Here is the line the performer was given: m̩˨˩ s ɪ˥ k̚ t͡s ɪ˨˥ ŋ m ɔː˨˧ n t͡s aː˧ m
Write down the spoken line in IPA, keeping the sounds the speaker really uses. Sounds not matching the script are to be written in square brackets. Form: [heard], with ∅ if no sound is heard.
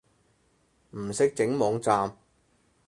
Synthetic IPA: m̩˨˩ s ɪ˥ k̚ t͡s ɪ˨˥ ŋ m ɔː˨˧ [ŋ] t͡s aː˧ m